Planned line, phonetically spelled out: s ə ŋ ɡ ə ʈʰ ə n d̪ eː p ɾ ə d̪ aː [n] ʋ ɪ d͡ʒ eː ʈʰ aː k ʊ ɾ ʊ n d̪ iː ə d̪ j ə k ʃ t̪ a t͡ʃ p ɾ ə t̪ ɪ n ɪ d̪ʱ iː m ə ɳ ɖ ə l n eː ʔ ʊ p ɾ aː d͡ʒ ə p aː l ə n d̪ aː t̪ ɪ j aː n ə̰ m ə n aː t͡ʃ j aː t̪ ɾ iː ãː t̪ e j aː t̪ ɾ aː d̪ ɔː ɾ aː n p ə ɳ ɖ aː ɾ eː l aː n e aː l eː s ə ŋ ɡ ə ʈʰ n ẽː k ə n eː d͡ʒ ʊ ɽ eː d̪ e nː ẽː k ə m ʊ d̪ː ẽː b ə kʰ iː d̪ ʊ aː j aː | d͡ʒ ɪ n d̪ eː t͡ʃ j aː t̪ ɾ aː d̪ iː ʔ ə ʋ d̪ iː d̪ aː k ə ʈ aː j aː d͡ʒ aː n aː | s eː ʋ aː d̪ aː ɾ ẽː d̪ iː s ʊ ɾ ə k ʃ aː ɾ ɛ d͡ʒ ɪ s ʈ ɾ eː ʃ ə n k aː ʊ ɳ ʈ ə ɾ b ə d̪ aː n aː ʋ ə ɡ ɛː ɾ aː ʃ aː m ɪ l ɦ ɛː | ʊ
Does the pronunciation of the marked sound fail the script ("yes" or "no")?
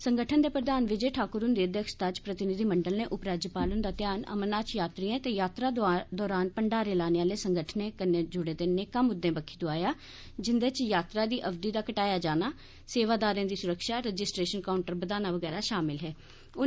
no